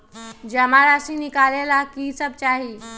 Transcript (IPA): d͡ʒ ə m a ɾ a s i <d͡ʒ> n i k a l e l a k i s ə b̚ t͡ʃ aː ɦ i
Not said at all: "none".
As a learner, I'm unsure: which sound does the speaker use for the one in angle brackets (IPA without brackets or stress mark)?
none